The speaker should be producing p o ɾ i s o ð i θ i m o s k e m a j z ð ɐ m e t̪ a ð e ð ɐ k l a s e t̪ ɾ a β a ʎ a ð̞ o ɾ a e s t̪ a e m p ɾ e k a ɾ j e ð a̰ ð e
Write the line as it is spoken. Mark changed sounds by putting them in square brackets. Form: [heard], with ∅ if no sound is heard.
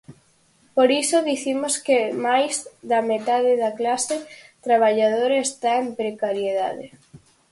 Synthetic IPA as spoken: p o ɾ i s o ð i θ i m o s k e m a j z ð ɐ m e t̪ a ð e ð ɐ k l a s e t̪ ɾ a β a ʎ a ð̞ o ɾ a e s t̪ a e m p ɾ e k a ɾ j e ð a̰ ð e